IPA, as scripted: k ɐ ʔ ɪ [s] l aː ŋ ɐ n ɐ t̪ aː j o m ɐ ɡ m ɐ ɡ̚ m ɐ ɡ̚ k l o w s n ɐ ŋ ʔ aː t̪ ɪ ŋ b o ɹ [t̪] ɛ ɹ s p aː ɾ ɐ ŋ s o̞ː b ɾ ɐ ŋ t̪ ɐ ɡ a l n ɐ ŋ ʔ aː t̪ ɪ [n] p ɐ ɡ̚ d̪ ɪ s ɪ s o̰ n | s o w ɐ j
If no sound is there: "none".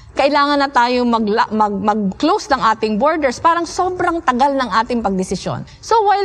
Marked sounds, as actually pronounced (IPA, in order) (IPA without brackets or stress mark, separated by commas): none, d̪, ŋ